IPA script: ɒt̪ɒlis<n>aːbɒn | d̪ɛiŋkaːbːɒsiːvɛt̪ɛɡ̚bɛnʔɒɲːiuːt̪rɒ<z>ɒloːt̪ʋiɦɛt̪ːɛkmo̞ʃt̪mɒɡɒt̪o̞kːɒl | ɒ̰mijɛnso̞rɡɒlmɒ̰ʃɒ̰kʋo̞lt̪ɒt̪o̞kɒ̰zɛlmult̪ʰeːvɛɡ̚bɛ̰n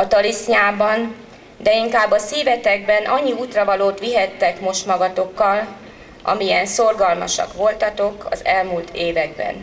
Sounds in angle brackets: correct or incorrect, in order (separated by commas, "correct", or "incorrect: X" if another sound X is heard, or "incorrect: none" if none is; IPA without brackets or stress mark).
incorrect: ɲ, incorrect: v